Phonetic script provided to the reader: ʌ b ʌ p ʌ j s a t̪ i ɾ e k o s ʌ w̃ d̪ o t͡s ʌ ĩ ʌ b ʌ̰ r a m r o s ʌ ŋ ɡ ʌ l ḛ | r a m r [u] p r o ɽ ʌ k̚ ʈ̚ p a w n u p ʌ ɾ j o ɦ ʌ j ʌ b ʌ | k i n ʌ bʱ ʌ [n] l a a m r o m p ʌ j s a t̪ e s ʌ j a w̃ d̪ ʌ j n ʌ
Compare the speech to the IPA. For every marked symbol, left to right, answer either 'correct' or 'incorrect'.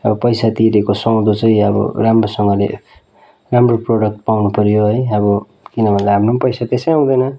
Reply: incorrect, correct

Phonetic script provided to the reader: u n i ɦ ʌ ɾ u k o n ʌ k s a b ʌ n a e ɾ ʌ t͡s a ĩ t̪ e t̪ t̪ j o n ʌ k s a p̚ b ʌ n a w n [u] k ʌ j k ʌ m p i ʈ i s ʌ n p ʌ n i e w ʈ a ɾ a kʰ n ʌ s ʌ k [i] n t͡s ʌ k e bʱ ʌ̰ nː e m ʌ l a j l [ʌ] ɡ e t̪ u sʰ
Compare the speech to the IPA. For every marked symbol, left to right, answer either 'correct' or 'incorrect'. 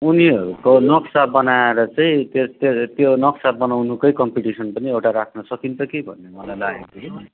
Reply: correct, correct, incorrect

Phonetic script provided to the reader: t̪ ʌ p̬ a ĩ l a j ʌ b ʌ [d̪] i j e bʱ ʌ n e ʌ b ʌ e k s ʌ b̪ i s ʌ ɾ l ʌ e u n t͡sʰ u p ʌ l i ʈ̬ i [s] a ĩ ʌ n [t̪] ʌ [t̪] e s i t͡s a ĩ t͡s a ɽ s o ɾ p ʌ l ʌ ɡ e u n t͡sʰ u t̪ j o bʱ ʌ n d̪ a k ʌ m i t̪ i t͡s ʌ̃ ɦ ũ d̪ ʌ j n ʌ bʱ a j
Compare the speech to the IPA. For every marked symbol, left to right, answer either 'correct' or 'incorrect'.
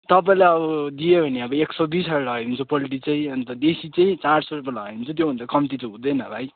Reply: correct, incorrect, correct, incorrect

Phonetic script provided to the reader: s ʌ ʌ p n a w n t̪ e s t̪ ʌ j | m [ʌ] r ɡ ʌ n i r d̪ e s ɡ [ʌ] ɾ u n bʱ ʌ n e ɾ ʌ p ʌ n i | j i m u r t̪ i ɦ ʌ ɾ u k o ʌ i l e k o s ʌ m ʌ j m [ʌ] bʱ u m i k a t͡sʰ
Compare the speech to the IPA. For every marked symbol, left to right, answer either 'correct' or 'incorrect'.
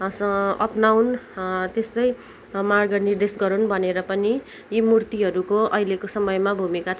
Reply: incorrect, correct, incorrect

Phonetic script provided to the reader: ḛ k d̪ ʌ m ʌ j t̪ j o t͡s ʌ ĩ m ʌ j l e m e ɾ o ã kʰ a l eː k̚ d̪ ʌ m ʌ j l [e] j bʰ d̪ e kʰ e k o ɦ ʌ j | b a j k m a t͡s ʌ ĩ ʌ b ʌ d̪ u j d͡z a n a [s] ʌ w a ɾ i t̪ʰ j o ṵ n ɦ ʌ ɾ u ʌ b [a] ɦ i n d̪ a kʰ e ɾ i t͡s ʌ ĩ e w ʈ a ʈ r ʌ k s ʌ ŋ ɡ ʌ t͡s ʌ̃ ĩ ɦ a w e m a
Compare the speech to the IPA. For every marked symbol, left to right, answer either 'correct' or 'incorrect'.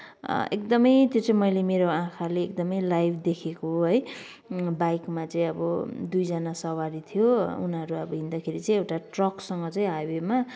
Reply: incorrect, correct, incorrect

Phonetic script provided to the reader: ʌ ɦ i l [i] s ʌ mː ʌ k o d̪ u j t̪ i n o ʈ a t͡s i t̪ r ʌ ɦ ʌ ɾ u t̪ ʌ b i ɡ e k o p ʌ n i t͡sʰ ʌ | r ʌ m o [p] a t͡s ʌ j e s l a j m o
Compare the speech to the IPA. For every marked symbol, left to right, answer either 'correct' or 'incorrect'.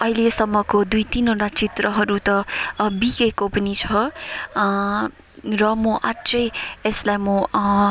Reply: incorrect, incorrect

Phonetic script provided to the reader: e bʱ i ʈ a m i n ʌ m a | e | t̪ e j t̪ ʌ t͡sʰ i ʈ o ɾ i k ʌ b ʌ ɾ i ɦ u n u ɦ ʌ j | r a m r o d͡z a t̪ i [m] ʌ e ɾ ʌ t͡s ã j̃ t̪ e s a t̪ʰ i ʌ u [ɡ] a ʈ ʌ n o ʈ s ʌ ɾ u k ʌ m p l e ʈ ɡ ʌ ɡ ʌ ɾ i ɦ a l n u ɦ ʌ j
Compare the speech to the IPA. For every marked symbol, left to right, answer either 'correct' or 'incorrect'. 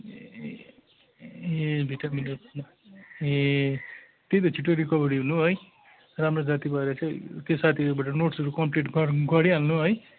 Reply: incorrect, incorrect

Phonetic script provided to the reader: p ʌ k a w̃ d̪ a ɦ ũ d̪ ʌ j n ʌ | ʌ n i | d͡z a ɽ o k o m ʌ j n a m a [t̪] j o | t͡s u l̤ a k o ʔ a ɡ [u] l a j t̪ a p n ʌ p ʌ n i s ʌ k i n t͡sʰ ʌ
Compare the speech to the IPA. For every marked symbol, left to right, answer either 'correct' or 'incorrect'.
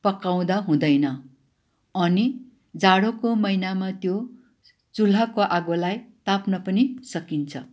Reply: correct, incorrect

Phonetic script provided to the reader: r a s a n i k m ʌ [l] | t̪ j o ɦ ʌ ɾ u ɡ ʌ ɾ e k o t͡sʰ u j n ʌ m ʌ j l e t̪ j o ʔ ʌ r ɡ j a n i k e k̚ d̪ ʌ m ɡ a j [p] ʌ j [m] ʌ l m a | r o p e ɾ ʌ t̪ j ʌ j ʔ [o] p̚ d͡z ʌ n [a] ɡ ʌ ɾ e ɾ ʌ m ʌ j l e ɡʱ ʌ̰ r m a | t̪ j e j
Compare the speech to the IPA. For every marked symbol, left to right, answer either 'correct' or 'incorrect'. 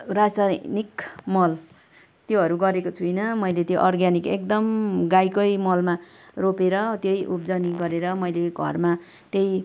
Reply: correct, incorrect, correct, incorrect, incorrect

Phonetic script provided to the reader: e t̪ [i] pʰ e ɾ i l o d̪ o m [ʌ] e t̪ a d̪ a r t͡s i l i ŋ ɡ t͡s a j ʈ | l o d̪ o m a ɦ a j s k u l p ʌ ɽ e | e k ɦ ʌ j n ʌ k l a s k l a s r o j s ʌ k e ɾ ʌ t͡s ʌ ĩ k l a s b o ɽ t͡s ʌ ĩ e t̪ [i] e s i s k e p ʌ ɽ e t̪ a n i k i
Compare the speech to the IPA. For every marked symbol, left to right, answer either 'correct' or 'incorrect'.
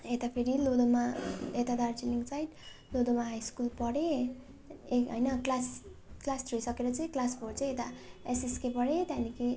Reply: incorrect, incorrect, incorrect

